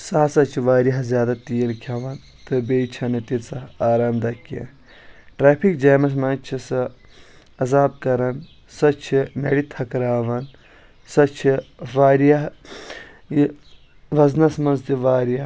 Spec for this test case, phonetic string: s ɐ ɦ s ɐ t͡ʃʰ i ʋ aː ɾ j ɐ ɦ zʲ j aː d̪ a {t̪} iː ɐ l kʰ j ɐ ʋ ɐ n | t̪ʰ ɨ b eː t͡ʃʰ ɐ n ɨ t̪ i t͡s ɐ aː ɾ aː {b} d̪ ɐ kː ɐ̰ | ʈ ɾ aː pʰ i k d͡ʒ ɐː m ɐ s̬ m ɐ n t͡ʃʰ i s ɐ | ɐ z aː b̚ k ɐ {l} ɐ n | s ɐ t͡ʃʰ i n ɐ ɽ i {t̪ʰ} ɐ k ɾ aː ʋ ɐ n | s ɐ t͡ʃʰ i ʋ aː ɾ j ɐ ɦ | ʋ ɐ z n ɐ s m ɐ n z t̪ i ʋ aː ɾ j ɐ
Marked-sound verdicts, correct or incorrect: correct, incorrect: m, incorrect: ɾ, correct

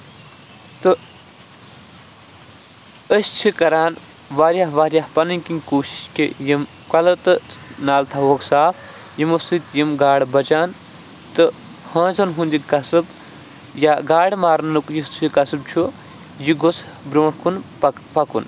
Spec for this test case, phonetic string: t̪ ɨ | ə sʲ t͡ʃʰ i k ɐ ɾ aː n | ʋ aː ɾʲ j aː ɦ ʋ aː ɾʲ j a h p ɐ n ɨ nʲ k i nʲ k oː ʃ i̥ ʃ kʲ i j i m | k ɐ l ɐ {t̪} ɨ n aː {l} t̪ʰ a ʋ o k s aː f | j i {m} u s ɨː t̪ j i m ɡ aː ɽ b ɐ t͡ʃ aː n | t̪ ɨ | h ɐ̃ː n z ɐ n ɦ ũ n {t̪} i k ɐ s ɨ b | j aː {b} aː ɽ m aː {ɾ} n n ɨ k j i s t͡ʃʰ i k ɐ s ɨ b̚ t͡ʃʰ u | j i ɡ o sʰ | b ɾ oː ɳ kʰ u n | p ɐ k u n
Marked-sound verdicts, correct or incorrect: correct, correct, correct, incorrect: d̪, incorrect: ɡ, correct

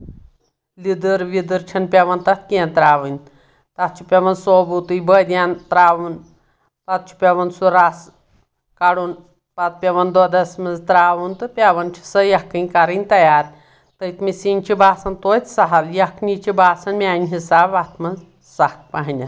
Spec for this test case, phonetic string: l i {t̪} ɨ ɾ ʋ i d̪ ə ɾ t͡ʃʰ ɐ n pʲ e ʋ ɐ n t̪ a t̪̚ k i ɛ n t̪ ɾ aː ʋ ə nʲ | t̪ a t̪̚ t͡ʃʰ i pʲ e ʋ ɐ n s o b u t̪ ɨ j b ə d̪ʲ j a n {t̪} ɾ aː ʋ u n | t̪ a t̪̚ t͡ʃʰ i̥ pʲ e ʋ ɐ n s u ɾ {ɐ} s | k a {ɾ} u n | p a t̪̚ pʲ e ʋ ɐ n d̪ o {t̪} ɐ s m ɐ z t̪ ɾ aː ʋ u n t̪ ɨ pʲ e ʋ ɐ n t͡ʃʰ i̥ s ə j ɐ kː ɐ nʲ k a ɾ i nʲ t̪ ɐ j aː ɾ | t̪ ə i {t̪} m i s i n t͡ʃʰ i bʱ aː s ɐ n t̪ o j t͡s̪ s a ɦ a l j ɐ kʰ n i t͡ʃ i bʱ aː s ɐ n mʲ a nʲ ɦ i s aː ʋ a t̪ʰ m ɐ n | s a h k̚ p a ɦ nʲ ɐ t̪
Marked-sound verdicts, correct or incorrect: incorrect: d̪, correct, incorrect: a, incorrect: ɽ, incorrect: d̪, correct

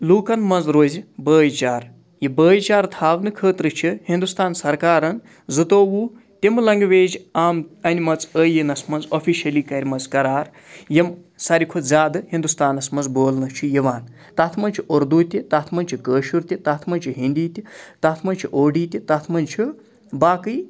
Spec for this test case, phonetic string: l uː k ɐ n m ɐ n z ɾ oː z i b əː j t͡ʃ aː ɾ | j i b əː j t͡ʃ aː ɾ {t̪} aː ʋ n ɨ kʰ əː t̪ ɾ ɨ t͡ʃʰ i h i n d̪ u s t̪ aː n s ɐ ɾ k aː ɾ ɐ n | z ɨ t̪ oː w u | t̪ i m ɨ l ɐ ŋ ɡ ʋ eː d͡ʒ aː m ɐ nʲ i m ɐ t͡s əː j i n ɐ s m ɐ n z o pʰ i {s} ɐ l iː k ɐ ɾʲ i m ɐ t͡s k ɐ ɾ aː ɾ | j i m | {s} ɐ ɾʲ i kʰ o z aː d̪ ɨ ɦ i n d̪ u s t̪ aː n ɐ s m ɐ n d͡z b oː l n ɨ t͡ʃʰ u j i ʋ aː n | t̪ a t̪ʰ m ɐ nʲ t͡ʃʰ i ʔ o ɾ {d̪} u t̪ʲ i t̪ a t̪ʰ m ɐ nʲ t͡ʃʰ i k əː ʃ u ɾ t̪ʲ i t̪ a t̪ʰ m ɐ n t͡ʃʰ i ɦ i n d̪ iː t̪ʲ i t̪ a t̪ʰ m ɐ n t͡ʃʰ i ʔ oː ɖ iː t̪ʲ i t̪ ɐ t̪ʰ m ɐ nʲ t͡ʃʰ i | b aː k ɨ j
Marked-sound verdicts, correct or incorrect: incorrect: t̪ʰ, incorrect: ʃ, correct, correct

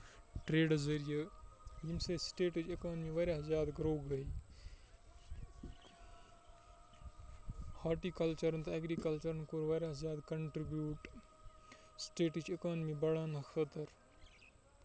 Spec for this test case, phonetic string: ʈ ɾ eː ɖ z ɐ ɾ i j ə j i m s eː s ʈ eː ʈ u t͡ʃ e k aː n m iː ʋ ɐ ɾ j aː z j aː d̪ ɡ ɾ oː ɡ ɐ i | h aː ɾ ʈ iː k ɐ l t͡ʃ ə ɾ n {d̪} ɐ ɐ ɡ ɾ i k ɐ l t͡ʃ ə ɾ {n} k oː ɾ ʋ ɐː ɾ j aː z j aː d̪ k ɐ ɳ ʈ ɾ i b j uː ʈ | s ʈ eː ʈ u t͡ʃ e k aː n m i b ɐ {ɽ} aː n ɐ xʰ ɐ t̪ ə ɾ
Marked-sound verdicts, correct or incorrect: incorrect: t̪, correct, correct

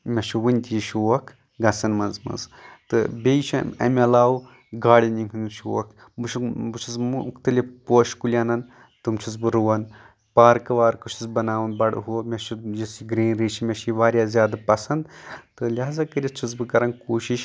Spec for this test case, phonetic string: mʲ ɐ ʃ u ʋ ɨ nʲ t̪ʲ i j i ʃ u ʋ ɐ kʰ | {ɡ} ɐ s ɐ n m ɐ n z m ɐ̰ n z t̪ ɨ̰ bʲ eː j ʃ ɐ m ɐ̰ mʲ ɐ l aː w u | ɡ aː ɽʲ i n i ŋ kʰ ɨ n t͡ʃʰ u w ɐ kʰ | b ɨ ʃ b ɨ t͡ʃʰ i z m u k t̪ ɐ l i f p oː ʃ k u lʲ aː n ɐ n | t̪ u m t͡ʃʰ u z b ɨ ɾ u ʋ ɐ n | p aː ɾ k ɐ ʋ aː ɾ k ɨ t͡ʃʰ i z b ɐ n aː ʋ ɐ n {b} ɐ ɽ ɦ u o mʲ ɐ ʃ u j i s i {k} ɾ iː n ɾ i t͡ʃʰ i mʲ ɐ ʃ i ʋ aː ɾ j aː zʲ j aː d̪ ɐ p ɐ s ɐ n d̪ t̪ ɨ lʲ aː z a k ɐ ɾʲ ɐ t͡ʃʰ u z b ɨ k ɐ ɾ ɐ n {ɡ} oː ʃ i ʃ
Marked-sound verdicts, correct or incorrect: correct, correct, incorrect: ɡ, incorrect: k

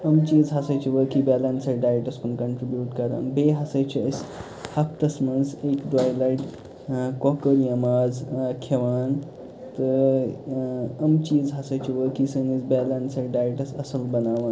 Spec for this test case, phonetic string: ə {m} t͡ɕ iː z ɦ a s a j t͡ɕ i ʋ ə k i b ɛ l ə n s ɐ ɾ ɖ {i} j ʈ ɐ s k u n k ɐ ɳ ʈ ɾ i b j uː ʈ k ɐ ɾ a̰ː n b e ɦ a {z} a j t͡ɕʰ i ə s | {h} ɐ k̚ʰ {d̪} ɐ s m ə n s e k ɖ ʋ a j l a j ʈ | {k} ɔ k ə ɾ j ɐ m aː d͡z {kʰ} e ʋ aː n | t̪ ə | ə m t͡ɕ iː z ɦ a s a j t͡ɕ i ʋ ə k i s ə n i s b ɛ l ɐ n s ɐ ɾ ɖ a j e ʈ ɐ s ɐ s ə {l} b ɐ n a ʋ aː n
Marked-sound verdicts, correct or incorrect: correct, incorrect: a, incorrect: s, correct, incorrect: t̪, correct, correct, correct

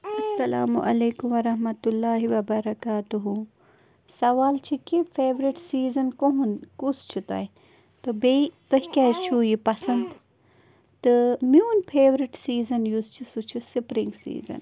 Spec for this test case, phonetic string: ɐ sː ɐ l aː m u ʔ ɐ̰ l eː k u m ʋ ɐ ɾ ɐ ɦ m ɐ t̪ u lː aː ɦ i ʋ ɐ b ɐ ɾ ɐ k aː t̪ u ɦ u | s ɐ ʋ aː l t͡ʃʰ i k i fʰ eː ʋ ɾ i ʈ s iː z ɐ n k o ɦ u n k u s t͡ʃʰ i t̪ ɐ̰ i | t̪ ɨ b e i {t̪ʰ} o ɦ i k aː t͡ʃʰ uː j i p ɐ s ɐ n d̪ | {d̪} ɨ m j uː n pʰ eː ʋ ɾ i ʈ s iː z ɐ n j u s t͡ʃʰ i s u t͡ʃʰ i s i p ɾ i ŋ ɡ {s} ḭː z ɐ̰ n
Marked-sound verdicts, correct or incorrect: incorrect: t̪, incorrect: t̪, correct

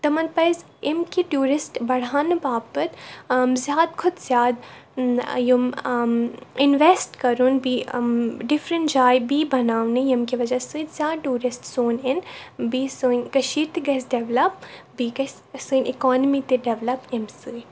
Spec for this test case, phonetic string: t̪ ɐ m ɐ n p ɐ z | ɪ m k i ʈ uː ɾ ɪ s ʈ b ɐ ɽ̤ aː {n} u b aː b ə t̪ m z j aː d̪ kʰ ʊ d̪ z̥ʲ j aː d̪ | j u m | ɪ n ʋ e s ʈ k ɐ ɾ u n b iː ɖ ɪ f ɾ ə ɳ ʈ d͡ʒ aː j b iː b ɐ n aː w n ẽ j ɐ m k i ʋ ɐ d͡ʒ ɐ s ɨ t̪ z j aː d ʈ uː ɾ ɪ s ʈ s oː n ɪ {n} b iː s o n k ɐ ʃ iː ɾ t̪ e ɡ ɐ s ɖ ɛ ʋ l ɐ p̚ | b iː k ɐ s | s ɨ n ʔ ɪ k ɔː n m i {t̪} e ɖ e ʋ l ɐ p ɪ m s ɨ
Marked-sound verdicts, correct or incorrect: correct, correct, correct

